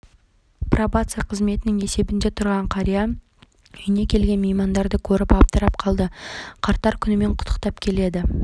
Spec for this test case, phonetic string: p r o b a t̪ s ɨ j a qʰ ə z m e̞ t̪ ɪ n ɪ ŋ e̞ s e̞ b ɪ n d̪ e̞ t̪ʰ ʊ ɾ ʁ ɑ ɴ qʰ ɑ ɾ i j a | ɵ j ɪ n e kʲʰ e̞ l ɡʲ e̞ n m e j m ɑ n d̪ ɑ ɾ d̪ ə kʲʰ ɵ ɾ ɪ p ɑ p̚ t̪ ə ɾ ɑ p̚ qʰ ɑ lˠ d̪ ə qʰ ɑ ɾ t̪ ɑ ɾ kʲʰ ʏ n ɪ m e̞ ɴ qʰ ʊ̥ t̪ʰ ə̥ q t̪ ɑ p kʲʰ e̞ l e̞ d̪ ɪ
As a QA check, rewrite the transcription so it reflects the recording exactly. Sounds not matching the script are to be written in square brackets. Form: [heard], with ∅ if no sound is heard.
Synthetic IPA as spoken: p r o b a t̪ s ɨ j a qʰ ə z m e̞ t̪ ɪ n ɪ ŋ e̞ s e̞ b ɪ n d̪ e̞ t̪ʰ ʊ ɾ ʁ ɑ ɴ qʰ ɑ ɾ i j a | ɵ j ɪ n e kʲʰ e̞ l ɡʲ e̞ n m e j m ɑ n d̪ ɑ ɾ d̪ ə kʲʰ ɵ ɾ ɪ p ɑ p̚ t̪ ə ɾ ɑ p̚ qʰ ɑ lˠ d̪ ə qʰ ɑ ɾ t̪ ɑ ɾ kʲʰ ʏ n ɪ m e̞ ɴ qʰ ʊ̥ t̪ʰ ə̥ q t̪ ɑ p kʲʰ e̞ l e̞ d̪ ɪ

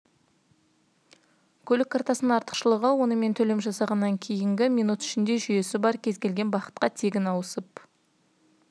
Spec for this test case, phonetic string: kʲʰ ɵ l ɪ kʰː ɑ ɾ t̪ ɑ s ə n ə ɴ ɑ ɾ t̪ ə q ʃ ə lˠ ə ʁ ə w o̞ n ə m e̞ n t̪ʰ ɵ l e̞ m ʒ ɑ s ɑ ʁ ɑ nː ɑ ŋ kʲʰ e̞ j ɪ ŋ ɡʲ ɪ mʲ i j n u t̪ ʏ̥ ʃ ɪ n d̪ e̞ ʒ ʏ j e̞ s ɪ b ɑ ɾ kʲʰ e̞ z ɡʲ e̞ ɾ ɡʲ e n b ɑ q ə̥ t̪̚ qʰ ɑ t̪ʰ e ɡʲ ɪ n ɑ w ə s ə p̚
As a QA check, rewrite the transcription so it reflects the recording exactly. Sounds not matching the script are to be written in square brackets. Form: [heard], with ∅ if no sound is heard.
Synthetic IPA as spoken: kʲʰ ɵ l ɪ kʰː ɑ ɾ t̪ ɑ s ə n ə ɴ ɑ ɾ t̪ ə q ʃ ə lˠ ə ʁ ə w o̞ n ə m e̞ n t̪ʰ ɵ l e̞ m ʒ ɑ s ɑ ʁ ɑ nː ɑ ŋ kʲʰ e̞ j ɪ ŋ ɡʲ ɪ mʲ i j n u t̪ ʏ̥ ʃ ɪ n d̪ e̞ ʒ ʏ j e̞ s ɪ b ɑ ɾ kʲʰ e̞ z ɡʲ e̞ [l] ɡʲ e n b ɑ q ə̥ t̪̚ [q] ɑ t̪ʰ e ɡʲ ɪ n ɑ w ə s ə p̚

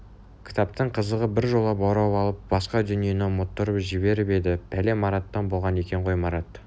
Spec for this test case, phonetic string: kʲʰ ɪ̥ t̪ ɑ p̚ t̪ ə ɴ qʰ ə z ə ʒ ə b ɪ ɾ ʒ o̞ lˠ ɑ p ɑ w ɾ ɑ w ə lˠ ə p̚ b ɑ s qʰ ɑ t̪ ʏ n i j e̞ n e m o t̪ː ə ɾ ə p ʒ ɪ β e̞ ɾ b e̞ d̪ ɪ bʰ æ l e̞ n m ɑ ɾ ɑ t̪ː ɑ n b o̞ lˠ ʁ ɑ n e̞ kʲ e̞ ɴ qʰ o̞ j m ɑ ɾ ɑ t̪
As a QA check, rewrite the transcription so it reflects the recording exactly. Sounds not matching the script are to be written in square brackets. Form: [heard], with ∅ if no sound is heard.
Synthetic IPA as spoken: kʲʰ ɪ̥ t̪ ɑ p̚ t̪ ə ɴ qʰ ə z ə [ʁ] ə b ɪ ɾ ʒ o̞ lˠ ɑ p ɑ w ɾ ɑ w [ɑ] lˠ ə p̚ b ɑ s [q] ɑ [d̪] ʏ n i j e̞ n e m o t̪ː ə ɾ ə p ʒ ɪ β e̞ ɾ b e̞ d̪ ɪ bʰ æ l e̞ [∅] m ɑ ɾ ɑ t̪ː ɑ n b o̞ lˠ ʁ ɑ n e̞ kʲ e̞ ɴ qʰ o̞ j m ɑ ɾ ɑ t̪

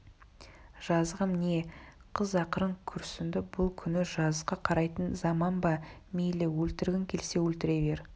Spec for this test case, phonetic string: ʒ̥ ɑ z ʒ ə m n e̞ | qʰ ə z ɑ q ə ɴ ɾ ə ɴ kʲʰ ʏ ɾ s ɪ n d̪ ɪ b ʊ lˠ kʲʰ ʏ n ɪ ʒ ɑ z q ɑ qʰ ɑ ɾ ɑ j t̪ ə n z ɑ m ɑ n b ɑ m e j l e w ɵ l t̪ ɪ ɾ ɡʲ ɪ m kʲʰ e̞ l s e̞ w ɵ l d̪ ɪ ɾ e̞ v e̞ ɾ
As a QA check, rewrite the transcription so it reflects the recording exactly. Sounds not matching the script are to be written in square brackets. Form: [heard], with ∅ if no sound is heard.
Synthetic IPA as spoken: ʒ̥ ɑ z [ʁ] ə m n e̞ | qʰ ə z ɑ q ə [∅] ɾ ə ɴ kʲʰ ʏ ɾ s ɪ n d̪ ɪ b ʊ lˠ kʲʰ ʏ n ɪ ʒ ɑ z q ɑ qʰ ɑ ɾ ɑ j t̪ ə n z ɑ m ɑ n b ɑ m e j l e w ɵ l t̪ ɪ ɾ ɡʲ ɪ [ŋ] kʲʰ e̞ l s e̞ w ɵ l [t̪] ɪ ɾ e̞ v e̞ ɾ

